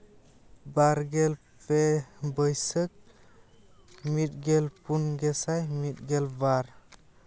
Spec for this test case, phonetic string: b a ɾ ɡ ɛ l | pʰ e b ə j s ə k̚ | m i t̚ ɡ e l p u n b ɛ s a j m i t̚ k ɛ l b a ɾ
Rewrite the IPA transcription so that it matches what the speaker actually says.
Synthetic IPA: b a ɾ ɡ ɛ l | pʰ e b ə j s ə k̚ | m i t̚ ɡ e l p u n ɡ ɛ s a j m i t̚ ɡ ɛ l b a ɾ